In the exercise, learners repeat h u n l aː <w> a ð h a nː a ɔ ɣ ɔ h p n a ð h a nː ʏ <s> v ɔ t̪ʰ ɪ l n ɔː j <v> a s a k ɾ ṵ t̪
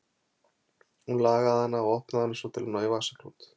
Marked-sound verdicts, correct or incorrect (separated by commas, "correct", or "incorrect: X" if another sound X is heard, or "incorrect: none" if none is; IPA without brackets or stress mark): incorrect: ɣ, correct, correct